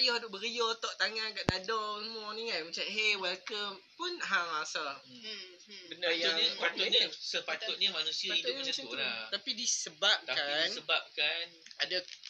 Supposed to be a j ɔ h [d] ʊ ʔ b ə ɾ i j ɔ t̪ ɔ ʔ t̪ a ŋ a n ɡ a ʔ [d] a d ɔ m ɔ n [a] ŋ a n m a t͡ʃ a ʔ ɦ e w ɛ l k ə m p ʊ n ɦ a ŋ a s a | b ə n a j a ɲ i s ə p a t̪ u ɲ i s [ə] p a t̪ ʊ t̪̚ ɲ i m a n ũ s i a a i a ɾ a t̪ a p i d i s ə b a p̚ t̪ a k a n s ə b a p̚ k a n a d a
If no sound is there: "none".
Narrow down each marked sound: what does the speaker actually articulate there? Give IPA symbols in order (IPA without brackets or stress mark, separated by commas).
d, d, i, ə